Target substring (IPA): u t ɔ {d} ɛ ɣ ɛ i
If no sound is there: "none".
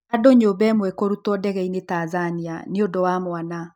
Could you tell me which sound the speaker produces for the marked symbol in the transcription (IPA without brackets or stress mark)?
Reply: d